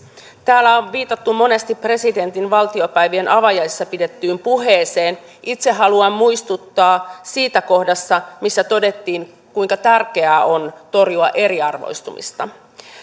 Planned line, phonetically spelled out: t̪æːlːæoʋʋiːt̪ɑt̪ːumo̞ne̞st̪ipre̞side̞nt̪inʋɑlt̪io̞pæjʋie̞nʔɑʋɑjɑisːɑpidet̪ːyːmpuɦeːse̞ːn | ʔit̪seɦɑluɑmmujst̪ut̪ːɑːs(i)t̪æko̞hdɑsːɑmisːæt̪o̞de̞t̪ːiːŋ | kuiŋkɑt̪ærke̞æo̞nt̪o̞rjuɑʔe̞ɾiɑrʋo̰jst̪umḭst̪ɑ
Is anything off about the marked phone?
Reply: yes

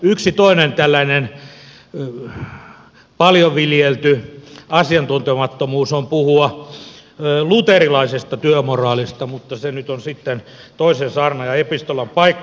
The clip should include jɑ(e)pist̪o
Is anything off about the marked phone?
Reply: no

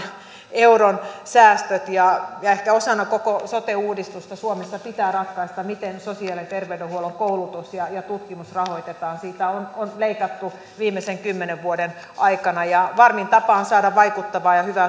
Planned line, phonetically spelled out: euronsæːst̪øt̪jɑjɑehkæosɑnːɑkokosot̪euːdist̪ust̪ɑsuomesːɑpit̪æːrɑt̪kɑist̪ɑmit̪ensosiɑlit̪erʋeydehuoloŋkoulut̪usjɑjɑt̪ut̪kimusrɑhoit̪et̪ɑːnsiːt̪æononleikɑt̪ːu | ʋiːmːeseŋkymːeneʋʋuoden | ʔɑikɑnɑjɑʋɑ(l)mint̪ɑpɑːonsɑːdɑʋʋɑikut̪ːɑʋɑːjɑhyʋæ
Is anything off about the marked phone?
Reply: yes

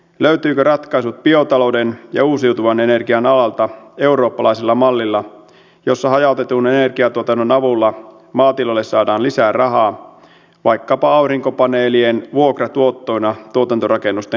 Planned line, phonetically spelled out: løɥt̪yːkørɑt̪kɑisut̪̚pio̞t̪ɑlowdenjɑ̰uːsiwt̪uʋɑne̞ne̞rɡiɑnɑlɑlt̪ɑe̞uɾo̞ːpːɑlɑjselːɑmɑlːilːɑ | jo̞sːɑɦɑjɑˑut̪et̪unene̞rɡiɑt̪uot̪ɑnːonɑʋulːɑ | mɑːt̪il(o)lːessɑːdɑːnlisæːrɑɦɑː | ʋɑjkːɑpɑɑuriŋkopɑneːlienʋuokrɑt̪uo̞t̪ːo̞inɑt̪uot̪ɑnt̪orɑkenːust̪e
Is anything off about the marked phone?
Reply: no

